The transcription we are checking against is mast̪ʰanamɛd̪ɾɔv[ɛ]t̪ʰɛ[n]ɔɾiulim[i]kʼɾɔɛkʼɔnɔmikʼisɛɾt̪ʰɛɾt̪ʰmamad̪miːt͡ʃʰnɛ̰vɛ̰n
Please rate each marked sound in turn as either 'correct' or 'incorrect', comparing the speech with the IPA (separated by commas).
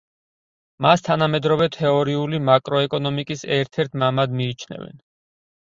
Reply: correct, incorrect, incorrect